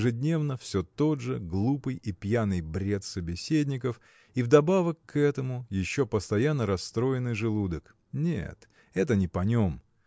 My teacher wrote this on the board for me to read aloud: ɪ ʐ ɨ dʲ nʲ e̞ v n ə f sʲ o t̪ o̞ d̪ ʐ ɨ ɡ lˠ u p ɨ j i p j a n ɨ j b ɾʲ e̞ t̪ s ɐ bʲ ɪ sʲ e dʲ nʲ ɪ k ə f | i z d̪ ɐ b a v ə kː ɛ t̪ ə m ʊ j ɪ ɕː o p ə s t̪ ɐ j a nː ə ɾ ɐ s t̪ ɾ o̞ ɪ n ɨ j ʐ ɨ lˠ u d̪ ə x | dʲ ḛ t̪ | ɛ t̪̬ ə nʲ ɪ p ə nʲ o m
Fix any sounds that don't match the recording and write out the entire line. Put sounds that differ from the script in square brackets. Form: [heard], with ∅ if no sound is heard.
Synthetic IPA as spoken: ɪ ʐ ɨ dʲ nʲ e̞ v n ə f sʲ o t̪ o̞ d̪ ʐ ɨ ɡ lˠ u p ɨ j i p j a n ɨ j b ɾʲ e̞ t̪ s [ə] bʲ ɪ sʲ e dʲ nʲ ɪ k ə f | i [v] d̪ ɐ b a v ə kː ɛ t̪ ə m ʊ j ɪ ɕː o p ə s t̪ ɐ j a nː ə ɾ ɐ s t̪ ɾ o̞ ɪ n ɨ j ʐ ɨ lˠ u d̪ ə [k] | [nʲ] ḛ t̪ | ɛ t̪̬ ə nʲ ɪ p [ɐ] nʲ o m